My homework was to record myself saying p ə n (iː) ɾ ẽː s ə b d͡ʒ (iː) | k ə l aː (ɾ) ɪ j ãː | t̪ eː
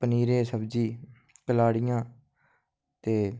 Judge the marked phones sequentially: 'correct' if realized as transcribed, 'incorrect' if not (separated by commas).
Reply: correct, correct, incorrect